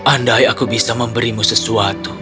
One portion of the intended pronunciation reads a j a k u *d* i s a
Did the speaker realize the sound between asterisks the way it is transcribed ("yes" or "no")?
no